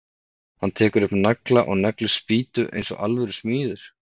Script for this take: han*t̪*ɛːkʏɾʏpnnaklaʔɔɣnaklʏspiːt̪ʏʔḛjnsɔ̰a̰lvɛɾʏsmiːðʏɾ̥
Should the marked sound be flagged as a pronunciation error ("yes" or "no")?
yes